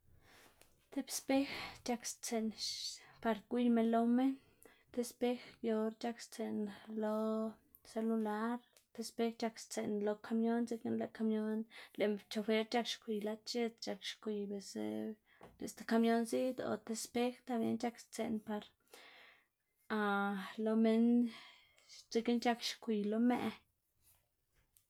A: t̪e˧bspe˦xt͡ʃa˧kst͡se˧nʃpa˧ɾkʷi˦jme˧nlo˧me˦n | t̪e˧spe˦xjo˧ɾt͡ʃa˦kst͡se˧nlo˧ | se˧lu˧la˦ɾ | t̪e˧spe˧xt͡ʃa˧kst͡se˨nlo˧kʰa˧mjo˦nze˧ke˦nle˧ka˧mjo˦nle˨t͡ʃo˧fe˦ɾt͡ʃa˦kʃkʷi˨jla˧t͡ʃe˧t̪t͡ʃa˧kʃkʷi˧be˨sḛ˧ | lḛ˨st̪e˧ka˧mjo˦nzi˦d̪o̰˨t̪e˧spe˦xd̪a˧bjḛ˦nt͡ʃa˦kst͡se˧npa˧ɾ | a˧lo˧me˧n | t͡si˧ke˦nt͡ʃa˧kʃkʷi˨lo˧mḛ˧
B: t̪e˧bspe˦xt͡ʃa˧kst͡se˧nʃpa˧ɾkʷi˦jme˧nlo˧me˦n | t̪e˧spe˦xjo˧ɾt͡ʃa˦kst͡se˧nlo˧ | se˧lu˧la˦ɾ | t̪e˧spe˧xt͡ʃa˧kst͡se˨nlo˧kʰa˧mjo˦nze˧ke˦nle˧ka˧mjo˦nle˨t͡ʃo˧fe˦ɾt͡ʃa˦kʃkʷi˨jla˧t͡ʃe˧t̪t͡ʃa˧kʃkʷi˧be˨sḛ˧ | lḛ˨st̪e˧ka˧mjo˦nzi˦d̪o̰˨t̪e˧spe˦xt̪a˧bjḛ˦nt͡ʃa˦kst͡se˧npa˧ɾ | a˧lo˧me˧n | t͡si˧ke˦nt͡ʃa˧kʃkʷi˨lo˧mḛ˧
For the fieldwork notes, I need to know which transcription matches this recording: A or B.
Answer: B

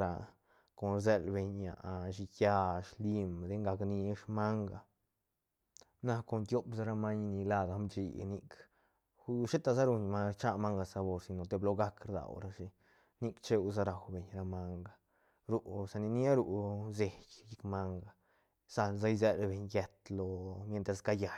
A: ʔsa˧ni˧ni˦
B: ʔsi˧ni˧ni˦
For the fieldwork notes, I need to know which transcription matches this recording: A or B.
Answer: A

